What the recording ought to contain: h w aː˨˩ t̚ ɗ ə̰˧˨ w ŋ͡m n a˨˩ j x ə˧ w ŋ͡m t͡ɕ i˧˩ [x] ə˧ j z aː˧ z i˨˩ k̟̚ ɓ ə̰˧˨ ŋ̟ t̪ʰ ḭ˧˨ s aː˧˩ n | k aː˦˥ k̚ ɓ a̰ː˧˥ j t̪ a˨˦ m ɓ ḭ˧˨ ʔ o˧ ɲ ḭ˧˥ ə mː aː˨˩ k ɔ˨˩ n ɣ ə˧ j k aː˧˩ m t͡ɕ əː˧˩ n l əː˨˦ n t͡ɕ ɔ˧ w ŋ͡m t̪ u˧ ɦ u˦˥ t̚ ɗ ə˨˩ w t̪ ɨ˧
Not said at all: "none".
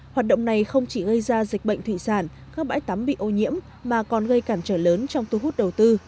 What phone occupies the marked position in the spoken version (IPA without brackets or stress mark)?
ɣ